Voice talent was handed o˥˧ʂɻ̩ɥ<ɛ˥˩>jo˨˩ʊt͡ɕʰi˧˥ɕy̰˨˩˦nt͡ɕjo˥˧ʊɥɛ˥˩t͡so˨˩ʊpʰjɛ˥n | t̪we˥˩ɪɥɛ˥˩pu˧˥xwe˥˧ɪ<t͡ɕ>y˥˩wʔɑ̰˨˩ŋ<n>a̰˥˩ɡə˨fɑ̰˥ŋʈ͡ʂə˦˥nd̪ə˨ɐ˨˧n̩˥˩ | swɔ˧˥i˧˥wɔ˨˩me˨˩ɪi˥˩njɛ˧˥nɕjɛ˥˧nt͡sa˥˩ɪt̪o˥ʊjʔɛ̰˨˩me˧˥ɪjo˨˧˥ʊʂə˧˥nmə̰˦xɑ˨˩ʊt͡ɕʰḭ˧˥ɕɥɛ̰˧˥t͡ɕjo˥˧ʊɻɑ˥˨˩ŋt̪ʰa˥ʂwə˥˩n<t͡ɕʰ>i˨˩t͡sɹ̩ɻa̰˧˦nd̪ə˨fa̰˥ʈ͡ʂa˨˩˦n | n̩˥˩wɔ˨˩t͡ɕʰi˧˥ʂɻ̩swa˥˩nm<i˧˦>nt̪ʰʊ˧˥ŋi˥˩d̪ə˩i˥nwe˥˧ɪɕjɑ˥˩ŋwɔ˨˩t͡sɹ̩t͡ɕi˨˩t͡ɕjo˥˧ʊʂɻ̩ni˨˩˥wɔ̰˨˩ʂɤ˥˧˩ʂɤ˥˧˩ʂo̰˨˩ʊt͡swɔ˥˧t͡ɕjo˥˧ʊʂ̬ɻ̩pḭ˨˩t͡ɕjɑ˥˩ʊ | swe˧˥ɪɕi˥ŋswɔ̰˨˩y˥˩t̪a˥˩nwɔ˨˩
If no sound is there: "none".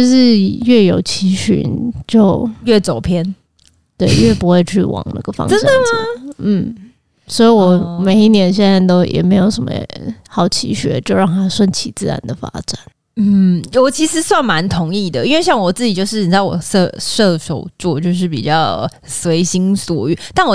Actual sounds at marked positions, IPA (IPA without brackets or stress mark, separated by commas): ɛ˥˩, t͡ɕʰ, n, t͡ɕʰ, a˧˦